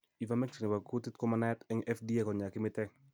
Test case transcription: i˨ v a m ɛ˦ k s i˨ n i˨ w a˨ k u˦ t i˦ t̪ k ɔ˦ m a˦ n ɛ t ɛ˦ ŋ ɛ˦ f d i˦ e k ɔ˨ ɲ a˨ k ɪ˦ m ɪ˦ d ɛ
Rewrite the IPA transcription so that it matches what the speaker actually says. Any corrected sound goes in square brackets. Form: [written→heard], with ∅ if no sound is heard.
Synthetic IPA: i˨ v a m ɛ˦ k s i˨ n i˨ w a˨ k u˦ t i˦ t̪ k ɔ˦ m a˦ n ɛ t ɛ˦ ŋ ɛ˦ f d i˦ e k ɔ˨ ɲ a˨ k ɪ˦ m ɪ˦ [d→t] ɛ